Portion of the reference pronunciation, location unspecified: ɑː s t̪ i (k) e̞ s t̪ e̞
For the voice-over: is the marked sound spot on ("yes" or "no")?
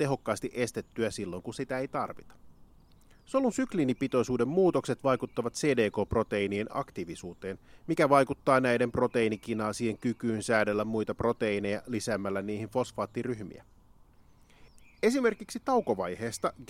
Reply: no